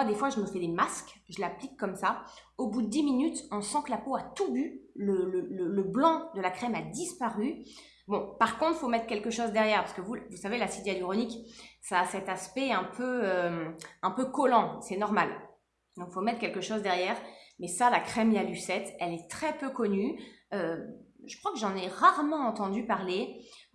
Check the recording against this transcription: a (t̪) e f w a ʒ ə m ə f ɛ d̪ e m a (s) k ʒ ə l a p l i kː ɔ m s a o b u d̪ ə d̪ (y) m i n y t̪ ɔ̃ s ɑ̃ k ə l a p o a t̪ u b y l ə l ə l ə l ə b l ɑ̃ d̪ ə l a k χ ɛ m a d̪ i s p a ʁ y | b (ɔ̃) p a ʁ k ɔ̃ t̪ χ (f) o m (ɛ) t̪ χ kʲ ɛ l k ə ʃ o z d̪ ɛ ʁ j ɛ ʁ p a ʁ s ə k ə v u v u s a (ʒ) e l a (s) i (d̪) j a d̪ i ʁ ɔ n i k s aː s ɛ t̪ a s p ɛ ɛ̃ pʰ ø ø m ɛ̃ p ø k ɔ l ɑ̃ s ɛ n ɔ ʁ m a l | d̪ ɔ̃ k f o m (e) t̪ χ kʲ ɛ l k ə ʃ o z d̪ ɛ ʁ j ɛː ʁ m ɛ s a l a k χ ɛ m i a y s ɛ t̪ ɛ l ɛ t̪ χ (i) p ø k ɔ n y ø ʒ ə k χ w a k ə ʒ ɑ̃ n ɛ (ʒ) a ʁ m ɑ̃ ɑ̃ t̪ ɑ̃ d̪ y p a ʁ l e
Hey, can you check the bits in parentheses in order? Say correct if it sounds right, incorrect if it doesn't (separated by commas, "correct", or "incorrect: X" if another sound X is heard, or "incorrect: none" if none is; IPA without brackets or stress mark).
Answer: incorrect: d̪, correct, incorrect: i, correct, correct, correct, incorrect: v, correct, correct, incorrect: ɛ, incorrect: ɛ, incorrect: ʁ